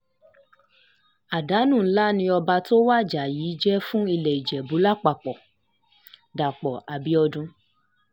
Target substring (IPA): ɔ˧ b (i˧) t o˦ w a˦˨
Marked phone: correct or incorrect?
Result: incorrect